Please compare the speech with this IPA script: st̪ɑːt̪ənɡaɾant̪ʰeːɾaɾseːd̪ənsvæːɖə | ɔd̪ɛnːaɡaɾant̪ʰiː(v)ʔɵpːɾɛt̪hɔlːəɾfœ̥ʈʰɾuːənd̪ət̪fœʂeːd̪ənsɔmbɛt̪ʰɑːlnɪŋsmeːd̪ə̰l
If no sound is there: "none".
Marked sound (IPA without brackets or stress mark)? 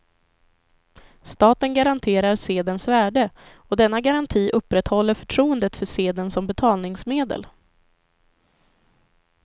none